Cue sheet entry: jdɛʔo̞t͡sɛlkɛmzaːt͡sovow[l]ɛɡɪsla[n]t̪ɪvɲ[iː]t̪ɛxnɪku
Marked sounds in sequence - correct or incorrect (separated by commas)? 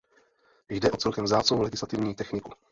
correct, incorrect, correct